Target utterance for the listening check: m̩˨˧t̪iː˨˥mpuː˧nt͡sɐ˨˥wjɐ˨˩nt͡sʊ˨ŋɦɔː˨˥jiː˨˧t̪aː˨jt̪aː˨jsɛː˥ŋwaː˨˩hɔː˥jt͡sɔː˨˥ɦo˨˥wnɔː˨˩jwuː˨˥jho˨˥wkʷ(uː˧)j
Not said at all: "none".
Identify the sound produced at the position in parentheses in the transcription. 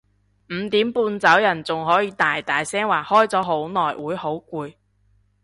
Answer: uː˧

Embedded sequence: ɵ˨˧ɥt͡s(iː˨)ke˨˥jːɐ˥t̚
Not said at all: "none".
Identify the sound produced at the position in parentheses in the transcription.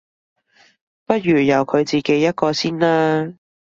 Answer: iː˨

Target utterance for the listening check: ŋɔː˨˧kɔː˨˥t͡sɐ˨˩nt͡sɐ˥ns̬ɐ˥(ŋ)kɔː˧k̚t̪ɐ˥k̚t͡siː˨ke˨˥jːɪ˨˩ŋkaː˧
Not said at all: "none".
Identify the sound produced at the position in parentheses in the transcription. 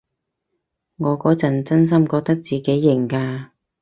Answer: m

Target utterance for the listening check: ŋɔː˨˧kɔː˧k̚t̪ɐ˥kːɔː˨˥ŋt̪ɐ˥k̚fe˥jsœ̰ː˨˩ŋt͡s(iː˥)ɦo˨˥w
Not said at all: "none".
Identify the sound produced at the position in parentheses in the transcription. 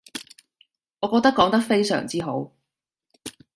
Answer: iː˥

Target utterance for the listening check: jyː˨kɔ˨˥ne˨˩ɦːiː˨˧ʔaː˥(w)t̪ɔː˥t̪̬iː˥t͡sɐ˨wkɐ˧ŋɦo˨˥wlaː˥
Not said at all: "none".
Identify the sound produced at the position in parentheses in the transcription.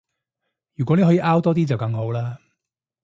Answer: w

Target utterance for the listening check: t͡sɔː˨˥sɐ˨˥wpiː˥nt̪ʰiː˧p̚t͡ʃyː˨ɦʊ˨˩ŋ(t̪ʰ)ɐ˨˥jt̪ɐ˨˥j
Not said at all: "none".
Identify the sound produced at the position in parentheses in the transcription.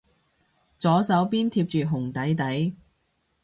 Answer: t̪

